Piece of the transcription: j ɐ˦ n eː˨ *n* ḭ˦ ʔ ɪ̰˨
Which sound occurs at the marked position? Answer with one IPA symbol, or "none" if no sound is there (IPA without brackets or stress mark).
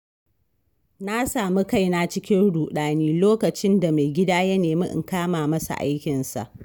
m